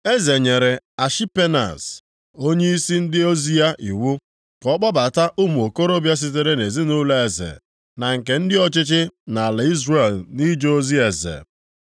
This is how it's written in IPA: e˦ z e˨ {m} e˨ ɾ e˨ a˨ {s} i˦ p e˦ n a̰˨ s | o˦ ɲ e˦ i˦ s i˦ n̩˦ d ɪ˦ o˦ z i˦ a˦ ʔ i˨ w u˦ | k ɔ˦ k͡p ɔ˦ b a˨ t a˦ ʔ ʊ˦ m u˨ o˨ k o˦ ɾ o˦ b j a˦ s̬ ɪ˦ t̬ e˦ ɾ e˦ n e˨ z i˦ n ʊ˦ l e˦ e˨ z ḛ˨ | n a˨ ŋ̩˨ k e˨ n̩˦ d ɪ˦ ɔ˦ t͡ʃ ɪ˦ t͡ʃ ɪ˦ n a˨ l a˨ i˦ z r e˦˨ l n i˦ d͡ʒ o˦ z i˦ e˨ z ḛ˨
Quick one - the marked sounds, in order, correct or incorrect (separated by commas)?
incorrect, incorrect